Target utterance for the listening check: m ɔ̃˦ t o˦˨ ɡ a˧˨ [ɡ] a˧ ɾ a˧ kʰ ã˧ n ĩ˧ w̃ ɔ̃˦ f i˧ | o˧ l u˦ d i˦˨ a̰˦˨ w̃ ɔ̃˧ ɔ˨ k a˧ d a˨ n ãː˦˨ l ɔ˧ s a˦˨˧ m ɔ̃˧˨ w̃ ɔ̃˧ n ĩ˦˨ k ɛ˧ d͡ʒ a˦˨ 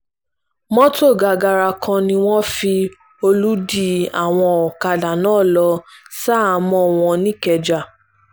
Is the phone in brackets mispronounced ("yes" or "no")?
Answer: no